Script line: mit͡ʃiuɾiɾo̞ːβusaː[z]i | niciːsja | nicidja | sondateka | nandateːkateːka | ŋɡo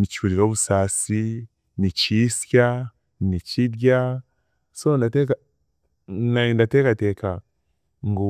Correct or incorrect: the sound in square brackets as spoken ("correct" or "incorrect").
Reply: incorrect